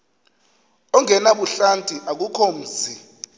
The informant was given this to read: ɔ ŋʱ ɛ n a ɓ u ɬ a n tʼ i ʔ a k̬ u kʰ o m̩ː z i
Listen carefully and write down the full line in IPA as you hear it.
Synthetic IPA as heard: ɔ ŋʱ ɛ n a ɓ u ɬ a n tʼ i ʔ a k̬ u kʰ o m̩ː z i